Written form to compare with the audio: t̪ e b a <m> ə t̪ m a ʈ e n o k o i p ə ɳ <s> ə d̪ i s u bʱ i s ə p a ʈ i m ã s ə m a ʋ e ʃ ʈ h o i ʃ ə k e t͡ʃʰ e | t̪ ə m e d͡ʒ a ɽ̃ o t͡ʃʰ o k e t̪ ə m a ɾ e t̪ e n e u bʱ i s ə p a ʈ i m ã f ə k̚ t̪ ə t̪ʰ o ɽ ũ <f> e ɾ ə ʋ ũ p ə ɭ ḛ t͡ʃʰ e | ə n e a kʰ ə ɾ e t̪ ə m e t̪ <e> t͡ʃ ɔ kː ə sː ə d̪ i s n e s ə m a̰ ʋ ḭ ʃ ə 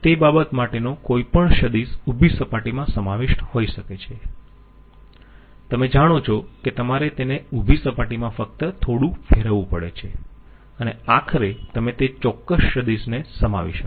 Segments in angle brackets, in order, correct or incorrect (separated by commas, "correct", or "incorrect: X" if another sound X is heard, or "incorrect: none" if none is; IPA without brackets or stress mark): incorrect: b, incorrect: ʃ, correct, correct